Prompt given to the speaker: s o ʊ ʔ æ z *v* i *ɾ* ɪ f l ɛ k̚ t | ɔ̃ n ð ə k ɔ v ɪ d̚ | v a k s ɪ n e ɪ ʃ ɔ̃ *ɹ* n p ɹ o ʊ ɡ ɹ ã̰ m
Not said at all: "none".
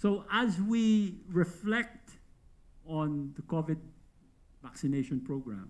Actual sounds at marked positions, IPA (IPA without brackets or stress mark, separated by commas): w, ɹ, none